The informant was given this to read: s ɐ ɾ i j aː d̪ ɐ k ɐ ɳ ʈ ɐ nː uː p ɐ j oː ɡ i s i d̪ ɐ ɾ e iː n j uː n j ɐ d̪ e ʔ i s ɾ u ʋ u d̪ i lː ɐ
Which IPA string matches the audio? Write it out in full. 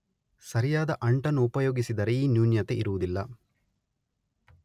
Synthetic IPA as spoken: s ɐ ɾ i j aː d̪ ɐ ʔ ɐ ɳ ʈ ɐ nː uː p ɐ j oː ɡ i s i d̪ ɐ ɾ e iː n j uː n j ɐ t̪ e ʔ i ɾ u ʋ u d̪ i lː ɐ